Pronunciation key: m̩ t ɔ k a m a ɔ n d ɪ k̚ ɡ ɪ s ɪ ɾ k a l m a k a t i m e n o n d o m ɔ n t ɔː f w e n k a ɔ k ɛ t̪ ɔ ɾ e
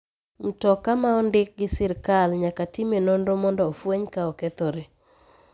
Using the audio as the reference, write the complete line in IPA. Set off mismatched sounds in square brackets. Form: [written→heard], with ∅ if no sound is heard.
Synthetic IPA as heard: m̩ t ɔ k a m a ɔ n d ɪ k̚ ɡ ɪ s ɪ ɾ k a l [m→ɲ] a k a t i m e n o n d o m ɔ n [t→d] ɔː f w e [n→ɲ] k a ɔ k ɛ t̪ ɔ ɾ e